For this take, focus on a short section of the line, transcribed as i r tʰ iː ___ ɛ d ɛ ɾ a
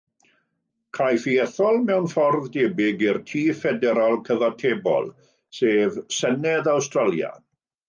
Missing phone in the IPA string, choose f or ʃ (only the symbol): f